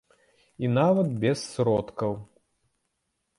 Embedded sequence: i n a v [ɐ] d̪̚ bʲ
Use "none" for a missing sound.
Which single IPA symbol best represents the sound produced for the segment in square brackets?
ɐ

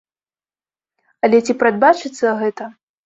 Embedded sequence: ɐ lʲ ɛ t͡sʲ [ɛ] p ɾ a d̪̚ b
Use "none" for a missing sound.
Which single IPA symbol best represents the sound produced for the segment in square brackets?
i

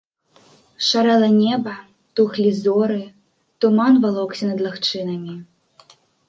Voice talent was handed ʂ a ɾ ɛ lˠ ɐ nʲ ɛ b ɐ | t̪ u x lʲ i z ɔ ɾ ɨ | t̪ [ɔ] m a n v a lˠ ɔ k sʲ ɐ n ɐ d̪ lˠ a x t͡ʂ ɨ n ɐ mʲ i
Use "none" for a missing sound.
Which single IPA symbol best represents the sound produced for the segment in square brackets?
u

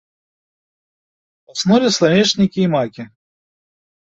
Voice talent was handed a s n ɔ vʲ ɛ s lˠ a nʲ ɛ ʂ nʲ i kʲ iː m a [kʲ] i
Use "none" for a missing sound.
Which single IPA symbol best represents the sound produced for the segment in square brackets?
kʲ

